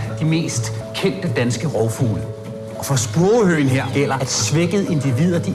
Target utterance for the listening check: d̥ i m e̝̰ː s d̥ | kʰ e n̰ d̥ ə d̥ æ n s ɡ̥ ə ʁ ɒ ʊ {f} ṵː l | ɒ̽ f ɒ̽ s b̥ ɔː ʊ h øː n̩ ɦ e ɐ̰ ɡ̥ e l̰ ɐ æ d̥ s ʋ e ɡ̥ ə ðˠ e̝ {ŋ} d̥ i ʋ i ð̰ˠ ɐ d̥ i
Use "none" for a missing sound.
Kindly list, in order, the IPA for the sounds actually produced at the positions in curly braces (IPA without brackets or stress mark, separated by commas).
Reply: f, n